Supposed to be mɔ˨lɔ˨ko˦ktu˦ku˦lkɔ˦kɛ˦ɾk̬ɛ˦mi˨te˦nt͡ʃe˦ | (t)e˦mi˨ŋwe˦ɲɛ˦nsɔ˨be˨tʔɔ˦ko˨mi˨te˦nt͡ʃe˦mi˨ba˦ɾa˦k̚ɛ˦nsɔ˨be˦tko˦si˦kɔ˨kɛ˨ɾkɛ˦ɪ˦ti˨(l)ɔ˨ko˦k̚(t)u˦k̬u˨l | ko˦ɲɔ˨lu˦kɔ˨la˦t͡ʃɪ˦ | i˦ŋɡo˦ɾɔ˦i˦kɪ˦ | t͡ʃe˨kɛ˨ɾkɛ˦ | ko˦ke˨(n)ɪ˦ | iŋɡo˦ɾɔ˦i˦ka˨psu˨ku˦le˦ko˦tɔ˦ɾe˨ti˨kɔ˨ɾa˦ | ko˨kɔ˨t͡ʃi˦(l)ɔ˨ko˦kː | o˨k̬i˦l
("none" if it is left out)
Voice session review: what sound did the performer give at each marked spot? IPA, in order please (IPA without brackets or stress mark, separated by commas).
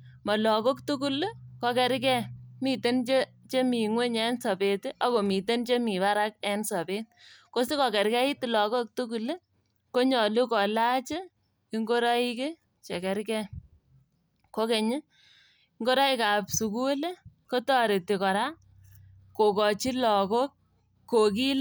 t͡ʃ, l, t, ɲ, l